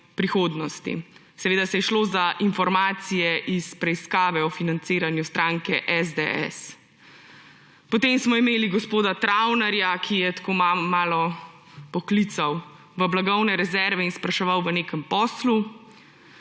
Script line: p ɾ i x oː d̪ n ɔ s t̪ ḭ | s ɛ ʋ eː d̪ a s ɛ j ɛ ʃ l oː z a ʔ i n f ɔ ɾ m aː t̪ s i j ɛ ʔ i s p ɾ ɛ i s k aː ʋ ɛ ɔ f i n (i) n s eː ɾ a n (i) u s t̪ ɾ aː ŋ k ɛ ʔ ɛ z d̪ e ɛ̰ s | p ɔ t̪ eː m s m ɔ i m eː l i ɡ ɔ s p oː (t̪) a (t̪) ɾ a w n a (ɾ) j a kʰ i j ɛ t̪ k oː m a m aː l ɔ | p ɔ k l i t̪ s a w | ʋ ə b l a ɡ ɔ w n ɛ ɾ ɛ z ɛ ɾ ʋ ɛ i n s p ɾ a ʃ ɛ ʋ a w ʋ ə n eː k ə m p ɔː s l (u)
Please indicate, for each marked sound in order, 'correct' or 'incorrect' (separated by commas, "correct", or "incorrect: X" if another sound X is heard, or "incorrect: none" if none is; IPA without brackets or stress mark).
incorrect: a, incorrect: j, incorrect: d̪, correct, correct, correct